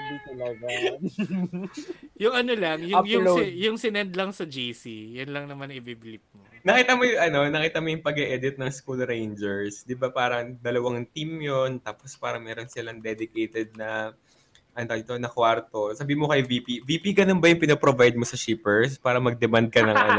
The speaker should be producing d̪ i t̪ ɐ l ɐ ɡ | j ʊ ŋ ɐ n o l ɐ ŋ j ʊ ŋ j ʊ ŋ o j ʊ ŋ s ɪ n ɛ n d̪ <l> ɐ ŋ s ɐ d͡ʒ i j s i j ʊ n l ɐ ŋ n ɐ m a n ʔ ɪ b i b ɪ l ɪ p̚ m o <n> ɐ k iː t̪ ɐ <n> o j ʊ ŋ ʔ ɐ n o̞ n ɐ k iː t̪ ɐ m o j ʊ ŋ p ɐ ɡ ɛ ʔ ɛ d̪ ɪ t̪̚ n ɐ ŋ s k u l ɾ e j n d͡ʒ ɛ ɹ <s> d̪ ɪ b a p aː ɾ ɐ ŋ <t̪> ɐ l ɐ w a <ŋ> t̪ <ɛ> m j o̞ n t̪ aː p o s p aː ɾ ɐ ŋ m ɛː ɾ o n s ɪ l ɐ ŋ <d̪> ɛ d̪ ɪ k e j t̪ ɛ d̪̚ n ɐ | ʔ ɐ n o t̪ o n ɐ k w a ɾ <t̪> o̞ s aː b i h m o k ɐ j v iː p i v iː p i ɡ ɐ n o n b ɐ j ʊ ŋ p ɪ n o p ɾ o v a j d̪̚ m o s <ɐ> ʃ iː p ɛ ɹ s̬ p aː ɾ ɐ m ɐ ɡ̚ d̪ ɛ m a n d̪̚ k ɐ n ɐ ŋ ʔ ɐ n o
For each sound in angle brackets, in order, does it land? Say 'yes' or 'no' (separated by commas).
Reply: yes, yes, no, yes, no, yes, no, yes, yes, yes